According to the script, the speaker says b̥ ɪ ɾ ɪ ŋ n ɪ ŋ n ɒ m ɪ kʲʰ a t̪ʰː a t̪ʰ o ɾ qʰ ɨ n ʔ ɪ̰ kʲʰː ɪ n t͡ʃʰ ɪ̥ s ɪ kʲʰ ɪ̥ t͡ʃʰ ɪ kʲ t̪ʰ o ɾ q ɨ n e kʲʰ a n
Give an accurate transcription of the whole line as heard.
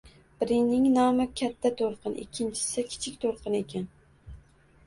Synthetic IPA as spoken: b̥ ɪ ɾ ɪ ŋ n ɪ ŋ n ɒ m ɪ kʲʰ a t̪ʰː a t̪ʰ o ɾ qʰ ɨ n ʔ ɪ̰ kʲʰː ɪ n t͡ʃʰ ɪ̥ s ɪ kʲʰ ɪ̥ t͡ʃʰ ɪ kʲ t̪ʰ o ɾ q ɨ n e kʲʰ a n

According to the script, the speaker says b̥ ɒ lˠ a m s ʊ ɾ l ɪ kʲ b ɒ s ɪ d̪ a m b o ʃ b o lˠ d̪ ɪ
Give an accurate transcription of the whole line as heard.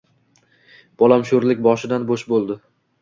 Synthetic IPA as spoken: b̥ ɒ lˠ a m ʃ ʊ ɾ l ɪ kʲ b ɒ ʃ ɪ d̪ a n b o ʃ b o lˠ d̪ ɪ

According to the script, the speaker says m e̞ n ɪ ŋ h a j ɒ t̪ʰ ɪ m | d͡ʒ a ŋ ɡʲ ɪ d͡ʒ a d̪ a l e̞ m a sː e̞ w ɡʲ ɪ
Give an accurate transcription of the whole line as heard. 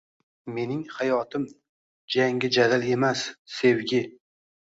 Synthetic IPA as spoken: m e̞ n ɪ ŋ h a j ɒ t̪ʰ ɪ m | d͡ʒ a ŋ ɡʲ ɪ d͡ʒ a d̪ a l e̞ m a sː e̞ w ɡʲ ɪ

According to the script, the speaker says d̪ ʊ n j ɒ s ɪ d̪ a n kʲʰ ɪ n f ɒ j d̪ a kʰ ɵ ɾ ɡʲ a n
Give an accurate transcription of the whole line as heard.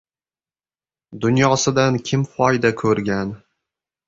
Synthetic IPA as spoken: d̪ ʊ n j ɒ s ɪ d̪ a n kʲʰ ɪ m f ɒ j d̪ a kʰ ɵ ɾ ɡʲ a n

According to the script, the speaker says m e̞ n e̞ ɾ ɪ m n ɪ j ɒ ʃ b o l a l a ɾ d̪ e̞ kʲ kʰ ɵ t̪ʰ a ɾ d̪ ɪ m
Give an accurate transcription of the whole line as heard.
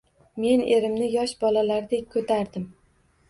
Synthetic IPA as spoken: m e̞ n e̞ ɾ ɪ m n ɪ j ɒ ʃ b ɒ l a l a ɾ d̪ e̞ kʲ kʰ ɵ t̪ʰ a ɾ d̪ ɪ m

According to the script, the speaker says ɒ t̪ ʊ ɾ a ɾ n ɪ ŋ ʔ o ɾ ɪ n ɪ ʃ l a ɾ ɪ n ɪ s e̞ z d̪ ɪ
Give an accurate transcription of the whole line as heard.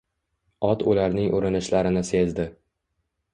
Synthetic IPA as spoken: ɒ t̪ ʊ l a ɾ n ɪ ŋ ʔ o ɾ ɪ n ɪ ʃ l a ɾ ɪ n ɪ s e̞ z d̪ ɪ

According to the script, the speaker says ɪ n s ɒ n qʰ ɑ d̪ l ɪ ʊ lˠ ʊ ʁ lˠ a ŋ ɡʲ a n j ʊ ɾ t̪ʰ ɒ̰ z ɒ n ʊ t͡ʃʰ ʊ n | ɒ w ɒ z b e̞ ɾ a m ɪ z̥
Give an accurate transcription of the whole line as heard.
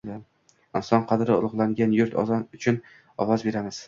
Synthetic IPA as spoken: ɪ n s ɒ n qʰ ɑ d̪ ɾ ɪ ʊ lˠ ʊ ʁ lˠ a ŋ ɡʲ a n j ʊ ɾ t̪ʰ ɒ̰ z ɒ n ʊ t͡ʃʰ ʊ n | ɒ w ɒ z b e̞ ɾ a m ɪ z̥

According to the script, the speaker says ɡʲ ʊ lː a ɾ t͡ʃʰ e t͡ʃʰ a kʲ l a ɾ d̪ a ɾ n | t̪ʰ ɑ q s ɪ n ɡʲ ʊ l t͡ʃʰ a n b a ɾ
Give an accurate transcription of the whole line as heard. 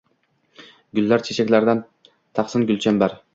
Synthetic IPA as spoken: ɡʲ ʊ lː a ɾ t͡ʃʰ e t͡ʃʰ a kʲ l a ɾ d̪ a n | t̪ʰ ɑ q s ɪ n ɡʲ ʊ l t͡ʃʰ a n b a ɾ

